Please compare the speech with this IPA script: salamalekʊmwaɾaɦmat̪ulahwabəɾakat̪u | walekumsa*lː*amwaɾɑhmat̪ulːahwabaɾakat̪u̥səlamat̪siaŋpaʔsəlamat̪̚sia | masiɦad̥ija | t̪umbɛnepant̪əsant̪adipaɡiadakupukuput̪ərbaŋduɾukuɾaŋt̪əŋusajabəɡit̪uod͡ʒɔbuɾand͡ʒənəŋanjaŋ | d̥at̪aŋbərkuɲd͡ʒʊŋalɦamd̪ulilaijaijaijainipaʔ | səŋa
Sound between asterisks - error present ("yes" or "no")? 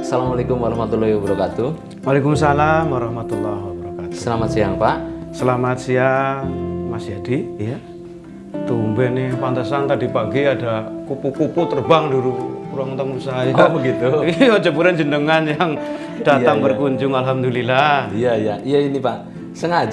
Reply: yes